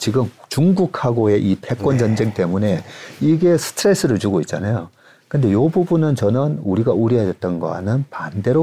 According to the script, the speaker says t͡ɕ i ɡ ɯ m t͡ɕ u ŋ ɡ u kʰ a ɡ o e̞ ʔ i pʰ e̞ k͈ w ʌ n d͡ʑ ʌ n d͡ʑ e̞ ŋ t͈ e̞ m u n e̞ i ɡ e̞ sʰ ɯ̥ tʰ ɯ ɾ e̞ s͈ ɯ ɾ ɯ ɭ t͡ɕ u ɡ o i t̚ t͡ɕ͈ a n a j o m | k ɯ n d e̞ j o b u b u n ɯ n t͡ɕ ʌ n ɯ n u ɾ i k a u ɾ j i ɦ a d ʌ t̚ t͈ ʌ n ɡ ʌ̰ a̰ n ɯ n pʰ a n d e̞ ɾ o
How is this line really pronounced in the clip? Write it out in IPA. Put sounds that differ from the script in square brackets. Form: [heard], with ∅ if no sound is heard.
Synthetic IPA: t͡ɕ i ɡ ɯ m t͡ɕ u ŋ ɡ u kʰ a ɡ o e̞ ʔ i pʰ e̞ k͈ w ʌ n d͡ʑ ʌ n d͡ʑ e̞ ŋ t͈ e̞ m u n e̞ i ɡ e̞ sʰ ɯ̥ tʰ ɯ ɾ e̞ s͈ ɯ ɾ ɯ ɭ t͡ɕ u ɡ o i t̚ t͡ɕ͈ a n a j o [∅] | k ɯ n d e̞ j o b u b u n ɯ n t͡ɕ ʌ n ɯ n u ɾ i [ɡ] a u ɾ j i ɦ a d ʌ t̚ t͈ ʌ n ɡ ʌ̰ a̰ n ɯ n [p] a n d e̞ ɾ o